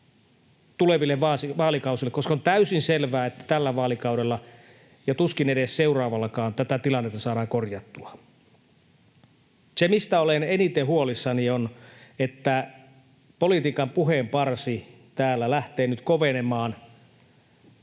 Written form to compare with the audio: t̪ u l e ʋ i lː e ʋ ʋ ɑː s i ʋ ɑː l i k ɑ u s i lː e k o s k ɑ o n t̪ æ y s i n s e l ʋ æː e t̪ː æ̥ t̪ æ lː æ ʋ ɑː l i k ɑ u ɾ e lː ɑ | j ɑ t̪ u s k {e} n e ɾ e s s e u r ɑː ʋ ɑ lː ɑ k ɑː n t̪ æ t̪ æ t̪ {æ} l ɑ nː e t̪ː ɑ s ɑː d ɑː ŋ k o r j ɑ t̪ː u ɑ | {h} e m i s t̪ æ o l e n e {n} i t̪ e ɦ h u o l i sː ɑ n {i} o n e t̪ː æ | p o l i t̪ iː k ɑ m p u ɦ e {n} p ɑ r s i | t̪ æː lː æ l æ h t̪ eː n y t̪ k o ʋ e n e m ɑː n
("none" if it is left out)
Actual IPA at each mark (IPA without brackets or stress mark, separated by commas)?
i, i, s, n, i, m